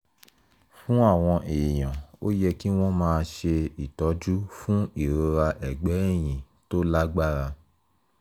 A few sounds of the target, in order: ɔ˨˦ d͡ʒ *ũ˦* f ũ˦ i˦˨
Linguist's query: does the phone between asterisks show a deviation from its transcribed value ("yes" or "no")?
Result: yes